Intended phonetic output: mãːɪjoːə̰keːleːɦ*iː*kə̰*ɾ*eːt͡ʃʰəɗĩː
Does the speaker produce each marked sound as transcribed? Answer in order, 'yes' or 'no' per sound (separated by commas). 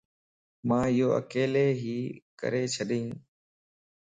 yes, yes